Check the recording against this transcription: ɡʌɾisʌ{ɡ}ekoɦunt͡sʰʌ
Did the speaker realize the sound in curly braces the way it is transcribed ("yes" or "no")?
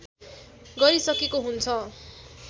no